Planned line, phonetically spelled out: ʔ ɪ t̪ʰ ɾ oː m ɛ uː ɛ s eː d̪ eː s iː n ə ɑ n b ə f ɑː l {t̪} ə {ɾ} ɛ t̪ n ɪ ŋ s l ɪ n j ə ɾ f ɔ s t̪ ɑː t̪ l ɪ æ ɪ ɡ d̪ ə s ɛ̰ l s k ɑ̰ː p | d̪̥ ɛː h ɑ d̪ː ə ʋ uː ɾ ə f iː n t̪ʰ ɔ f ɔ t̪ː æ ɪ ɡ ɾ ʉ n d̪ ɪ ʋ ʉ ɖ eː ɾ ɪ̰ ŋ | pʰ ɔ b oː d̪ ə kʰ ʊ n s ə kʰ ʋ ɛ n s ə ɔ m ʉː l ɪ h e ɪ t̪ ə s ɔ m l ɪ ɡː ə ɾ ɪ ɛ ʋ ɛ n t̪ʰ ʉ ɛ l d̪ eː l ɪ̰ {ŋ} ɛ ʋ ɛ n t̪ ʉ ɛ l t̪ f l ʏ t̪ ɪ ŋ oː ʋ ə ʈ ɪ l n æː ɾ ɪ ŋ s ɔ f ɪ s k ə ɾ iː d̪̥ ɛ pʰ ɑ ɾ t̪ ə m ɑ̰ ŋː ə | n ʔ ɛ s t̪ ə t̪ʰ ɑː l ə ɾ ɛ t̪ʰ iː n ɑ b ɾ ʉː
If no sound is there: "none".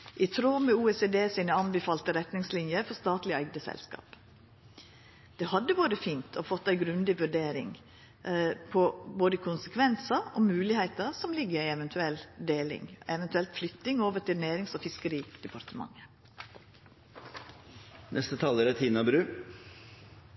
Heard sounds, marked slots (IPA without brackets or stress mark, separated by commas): t̪, ɾ, ŋ